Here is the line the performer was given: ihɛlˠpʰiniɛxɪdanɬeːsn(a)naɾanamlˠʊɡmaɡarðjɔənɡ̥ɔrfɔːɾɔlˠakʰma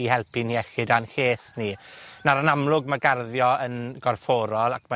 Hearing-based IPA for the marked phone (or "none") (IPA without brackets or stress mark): i